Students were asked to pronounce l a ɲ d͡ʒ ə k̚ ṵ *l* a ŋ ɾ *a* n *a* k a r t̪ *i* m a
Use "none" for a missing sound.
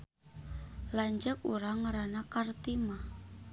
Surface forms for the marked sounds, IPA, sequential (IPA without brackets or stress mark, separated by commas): ɾ, a, a, i